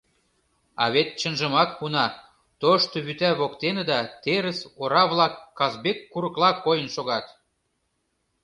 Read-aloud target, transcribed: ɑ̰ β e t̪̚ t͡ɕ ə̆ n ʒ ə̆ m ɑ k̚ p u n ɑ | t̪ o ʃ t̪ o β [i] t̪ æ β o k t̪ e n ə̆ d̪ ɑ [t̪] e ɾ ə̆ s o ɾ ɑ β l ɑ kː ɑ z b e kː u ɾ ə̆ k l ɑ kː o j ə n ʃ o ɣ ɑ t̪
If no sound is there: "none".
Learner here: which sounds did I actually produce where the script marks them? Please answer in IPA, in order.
y, t̪

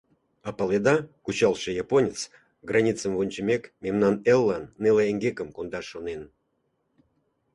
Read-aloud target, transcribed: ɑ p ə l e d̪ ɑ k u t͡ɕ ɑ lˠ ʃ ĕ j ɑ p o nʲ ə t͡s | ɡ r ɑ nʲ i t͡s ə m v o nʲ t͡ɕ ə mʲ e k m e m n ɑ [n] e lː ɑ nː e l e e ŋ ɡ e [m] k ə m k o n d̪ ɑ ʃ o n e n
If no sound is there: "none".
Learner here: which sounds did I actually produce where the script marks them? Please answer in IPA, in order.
n, none

